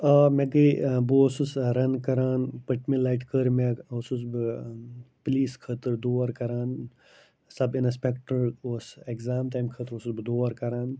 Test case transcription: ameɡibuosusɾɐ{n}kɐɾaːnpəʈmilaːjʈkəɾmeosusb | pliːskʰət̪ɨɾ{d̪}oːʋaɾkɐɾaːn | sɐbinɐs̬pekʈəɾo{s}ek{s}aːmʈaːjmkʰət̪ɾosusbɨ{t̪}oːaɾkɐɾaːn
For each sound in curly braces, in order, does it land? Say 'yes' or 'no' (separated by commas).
yes, yes, yes, no, no